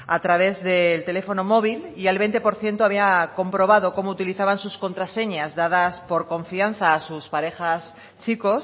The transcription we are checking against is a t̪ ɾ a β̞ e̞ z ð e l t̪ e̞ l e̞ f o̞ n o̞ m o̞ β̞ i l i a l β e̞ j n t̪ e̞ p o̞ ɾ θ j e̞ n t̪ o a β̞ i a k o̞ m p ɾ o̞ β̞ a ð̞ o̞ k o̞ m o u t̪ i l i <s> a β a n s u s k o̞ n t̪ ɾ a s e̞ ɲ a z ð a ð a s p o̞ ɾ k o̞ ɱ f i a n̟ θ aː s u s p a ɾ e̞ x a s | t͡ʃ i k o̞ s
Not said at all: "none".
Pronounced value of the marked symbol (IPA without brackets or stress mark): θ